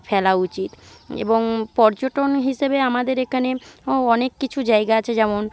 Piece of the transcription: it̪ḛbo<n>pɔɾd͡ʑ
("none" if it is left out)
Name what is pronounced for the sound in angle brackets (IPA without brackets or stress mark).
ŋ